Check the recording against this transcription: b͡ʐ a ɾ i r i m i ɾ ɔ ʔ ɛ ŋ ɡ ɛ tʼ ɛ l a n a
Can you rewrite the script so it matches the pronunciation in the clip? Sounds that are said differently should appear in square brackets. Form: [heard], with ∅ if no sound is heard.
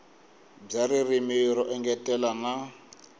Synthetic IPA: b͡ʐ a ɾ i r i m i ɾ ɔ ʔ ɛ ŋ ɡ ɛ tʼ ɛ l a n a